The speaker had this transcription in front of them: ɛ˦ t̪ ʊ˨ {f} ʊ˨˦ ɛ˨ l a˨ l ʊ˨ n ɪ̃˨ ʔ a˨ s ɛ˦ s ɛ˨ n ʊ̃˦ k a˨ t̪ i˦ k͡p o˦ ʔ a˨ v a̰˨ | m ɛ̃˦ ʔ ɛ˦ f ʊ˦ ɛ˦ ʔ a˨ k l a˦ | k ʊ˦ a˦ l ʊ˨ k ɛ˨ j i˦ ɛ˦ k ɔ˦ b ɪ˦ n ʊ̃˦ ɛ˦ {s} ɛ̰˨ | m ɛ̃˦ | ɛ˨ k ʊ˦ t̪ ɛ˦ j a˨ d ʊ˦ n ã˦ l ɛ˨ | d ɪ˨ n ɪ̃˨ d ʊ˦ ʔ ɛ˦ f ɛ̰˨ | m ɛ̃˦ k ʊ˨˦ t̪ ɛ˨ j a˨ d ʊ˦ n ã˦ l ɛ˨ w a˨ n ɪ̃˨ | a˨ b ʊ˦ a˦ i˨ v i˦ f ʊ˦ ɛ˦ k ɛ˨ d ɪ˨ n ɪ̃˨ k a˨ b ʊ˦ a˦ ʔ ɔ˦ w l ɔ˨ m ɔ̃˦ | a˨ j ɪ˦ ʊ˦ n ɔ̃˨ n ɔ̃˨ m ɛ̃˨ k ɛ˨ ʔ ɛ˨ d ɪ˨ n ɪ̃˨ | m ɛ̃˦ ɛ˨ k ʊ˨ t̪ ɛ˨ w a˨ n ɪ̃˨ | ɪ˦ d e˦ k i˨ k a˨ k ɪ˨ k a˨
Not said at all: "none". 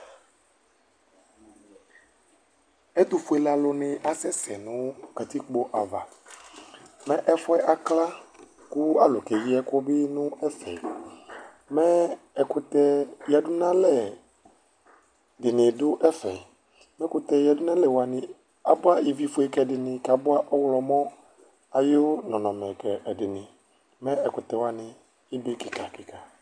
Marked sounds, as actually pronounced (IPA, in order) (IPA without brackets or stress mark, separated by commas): f, f